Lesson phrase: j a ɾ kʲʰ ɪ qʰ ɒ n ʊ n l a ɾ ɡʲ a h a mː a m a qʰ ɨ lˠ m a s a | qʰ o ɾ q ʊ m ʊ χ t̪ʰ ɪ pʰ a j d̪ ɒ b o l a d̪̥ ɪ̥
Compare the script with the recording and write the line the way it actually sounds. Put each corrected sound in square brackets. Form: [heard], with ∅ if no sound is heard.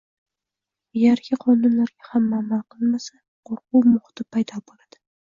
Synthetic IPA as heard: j a ɾ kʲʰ ɪ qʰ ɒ n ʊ n l a ɾ ɡʲ a h a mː a m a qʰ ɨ lˠ m a s a | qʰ o ɾ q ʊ m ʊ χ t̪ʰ ɪ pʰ a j d̪ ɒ b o l a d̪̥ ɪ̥